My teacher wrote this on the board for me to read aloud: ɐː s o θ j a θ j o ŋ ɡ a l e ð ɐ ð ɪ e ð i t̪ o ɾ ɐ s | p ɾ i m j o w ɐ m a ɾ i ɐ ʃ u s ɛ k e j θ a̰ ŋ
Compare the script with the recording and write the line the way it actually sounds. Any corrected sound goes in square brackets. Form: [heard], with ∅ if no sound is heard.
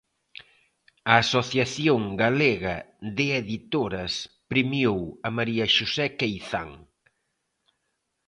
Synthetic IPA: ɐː s o θ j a θ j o ŋ ɡ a l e [ɣ] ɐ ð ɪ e ð i t̪ o ɾ ɐ s | p ɾ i m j o w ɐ m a ɾ i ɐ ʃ u s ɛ k e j θ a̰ ŋ